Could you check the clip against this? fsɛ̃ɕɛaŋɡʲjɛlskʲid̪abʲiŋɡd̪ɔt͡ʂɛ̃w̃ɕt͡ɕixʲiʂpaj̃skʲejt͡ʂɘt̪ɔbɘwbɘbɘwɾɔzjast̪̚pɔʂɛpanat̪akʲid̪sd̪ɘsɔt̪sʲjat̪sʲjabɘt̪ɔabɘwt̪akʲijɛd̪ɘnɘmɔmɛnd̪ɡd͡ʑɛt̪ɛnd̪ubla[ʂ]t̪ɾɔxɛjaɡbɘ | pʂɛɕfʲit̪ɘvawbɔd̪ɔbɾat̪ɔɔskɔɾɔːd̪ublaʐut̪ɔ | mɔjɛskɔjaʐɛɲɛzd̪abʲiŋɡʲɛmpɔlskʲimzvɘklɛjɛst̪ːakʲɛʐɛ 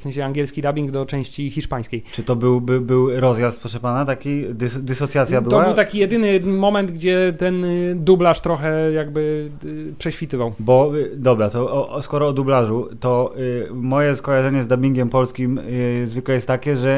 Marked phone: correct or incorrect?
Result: correct